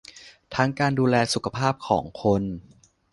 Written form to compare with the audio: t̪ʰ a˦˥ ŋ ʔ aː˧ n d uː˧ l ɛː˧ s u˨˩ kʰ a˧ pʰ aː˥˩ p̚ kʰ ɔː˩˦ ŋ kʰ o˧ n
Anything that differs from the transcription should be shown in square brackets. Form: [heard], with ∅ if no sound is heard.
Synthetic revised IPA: t̪ʰ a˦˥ ŋ [k] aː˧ n d uː˧ l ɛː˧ s u˨˩ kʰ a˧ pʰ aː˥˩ p̚ kʰ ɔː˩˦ ŋ kʰ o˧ n